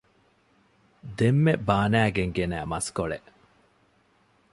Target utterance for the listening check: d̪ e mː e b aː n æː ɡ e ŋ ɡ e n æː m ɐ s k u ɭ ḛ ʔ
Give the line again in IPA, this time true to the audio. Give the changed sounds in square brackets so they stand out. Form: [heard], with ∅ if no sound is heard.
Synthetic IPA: d̪ e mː e b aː n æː ɡ e ŋ ɡ e n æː m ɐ s k [o] ɭ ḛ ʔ